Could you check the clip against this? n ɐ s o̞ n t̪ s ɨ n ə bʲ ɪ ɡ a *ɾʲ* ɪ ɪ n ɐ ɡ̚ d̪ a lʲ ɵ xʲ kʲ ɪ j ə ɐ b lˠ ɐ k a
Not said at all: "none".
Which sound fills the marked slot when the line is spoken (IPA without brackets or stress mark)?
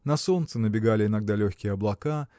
lʲ